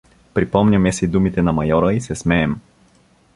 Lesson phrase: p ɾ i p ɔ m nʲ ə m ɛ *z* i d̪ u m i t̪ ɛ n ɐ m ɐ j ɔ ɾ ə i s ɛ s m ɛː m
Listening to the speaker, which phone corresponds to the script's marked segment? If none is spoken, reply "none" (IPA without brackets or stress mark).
s